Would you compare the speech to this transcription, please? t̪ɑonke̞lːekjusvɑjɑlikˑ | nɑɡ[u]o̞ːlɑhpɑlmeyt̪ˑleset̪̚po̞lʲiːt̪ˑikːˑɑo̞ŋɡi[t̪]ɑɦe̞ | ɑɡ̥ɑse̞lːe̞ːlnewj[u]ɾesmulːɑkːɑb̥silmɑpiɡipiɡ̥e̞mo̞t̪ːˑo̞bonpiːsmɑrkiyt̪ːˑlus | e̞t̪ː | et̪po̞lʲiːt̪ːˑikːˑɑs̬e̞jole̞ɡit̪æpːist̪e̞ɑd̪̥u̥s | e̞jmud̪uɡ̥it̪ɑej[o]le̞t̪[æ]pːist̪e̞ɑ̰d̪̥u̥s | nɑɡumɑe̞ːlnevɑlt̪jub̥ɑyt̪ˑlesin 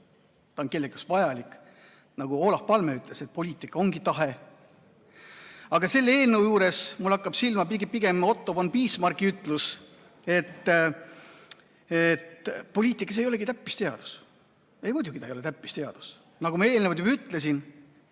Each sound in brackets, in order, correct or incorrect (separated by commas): correct, correct, incorrect, correct, correct